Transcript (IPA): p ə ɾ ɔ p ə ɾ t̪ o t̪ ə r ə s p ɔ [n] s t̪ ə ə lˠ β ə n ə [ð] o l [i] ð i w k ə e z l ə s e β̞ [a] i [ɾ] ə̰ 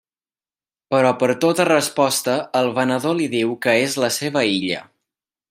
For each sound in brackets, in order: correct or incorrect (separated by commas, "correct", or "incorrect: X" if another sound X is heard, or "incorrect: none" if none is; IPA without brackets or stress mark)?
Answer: incorrect: none, correct, correct, incorrect: ə, incorrect: ʎ